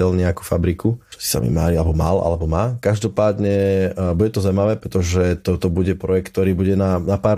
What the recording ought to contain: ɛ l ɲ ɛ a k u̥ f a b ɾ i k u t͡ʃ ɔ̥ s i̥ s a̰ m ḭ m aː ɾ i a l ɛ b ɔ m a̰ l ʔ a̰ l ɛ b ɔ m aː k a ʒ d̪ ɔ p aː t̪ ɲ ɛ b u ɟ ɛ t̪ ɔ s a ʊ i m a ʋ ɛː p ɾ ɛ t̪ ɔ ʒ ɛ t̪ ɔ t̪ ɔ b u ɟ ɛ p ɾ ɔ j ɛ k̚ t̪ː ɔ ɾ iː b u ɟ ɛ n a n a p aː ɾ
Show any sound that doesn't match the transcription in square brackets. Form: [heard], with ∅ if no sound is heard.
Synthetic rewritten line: ɛ l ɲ ɛ a k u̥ f a b ɾ i k u t͡ʃ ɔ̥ s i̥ s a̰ m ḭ m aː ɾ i a l ɛ b ɔ m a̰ l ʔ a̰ l ɛ b ɔ m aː k a ʒ d̪ ɔ p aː [d̪] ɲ ɛ b u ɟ ɛ t̪ ɔ [z] a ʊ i m a ʋ ɛː p ɾ ɛ t̪ ɔ ʒ ɛ t̪ ɔ t̪ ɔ b u ɟ ɛ p ɾ ɔ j ɛ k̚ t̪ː ɔ ɾ iː b u ɟ ɛ n a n a p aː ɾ